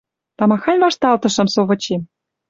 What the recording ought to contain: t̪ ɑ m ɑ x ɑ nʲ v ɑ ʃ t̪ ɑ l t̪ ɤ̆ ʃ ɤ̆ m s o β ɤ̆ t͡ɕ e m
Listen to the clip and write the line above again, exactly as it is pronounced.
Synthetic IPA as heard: t̪ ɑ m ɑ x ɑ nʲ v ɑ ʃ t̪ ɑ l t̪ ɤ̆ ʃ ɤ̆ m s o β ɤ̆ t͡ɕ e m